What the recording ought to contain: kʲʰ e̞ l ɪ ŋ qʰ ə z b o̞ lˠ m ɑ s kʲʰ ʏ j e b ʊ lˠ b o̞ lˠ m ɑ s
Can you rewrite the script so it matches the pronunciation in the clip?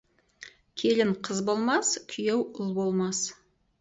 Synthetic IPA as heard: kʲʰ e̞ l ɪ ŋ qʰ ə z b o̞ lˠ m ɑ s kʲʰ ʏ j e w ʊ lˠ b o̞ lˠ m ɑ s

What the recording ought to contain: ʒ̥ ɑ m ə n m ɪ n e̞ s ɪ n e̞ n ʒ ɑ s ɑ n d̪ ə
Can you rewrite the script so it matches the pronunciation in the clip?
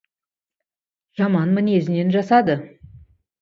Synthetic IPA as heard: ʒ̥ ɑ m ɑ n m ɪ n e̞ z ɪ n e̞ n ʒ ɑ s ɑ d̪ ə

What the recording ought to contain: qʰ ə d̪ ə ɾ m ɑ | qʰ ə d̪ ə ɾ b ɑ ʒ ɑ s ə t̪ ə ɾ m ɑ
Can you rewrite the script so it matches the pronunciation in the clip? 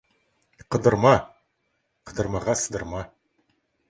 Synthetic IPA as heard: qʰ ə d̪ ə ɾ m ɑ | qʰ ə d̪ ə ɾ m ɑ ʁ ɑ s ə d̪ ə ɾ m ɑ

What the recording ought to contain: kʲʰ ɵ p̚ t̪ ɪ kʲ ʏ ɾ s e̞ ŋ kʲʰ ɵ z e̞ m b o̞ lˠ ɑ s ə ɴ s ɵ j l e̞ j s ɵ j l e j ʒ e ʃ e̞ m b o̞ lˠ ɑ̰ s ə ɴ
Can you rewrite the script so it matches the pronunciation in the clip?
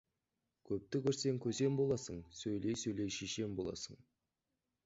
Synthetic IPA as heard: kʲʰ ɵ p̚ t̪ ɪ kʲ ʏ ɾ s e̞ ŋ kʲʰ ɵ z e̞ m b o̞ lˠ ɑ s ə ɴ s ɵ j l e̞ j s ɵ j l e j ʃ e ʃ e̞ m b o̞ lˠ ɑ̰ s ə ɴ

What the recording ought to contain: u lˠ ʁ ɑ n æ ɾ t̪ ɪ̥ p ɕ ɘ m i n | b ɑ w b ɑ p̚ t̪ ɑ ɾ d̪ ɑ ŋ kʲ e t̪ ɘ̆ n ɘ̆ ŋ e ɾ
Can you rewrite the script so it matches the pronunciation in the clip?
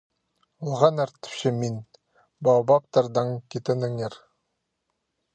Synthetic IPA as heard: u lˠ ʁ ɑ n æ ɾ t̪ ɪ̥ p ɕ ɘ m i n | b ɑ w b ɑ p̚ t̪ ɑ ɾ d̪ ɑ ŋ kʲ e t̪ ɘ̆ n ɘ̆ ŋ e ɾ

